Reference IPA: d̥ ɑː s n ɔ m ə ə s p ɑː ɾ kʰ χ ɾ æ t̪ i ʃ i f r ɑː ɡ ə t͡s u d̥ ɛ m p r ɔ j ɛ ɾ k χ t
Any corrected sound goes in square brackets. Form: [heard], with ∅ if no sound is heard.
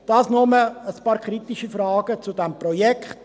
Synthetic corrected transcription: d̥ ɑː s n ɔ m ə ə s p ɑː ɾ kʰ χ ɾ [i] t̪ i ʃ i f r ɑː ɡ ə t͡s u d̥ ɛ m p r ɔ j ɛ [∅] k χ t